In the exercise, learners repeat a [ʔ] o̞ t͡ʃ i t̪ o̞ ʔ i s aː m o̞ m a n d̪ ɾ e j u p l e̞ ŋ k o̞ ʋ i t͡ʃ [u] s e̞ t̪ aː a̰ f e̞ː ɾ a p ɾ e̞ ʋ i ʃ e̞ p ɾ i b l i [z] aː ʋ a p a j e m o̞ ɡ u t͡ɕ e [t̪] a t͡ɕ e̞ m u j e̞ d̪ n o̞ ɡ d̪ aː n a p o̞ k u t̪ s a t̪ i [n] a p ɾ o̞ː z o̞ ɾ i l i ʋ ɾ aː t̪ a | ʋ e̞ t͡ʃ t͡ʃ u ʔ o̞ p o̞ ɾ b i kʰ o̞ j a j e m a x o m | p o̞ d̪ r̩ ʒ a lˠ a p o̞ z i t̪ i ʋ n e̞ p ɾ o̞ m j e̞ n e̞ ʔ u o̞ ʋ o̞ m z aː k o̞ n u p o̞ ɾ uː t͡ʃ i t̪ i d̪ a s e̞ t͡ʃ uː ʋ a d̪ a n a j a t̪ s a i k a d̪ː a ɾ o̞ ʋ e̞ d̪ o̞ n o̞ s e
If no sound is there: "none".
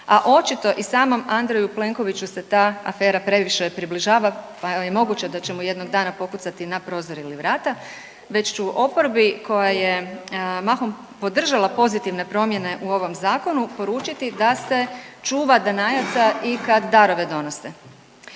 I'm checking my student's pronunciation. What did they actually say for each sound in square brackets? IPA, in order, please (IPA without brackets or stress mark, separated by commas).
ʔ, u, ʒ, d̪, n